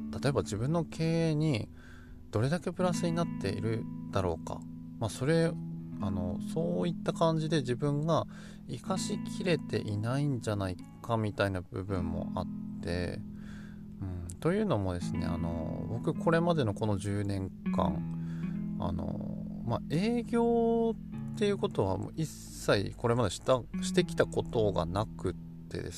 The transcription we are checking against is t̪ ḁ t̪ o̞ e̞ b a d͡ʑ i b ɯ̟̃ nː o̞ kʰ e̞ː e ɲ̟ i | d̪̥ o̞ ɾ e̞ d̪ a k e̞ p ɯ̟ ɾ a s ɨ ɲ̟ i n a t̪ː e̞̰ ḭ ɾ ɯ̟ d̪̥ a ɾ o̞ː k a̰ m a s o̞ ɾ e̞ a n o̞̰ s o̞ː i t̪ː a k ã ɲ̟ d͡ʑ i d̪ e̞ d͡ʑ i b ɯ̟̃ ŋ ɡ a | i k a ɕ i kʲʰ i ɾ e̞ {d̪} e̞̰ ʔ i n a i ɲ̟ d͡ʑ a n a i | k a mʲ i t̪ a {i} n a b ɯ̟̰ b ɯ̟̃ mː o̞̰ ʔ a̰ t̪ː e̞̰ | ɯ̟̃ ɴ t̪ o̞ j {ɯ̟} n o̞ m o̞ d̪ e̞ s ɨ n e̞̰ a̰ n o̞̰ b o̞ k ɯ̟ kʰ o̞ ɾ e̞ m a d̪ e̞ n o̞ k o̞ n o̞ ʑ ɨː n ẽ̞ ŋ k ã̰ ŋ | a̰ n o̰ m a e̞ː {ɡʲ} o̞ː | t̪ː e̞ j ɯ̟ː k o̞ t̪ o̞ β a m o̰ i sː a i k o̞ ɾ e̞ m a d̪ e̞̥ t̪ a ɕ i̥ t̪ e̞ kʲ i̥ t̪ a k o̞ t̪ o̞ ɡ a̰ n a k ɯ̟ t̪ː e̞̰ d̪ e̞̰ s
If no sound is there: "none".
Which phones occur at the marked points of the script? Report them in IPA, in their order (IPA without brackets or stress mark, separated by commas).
t̪, i, ɯ̟ː, ɡʲ